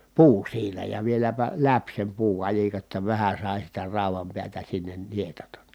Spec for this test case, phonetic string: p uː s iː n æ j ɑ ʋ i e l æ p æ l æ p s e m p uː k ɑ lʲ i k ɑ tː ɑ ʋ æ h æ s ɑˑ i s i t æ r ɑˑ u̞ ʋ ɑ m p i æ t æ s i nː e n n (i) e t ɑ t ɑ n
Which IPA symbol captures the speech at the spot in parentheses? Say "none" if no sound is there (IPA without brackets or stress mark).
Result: i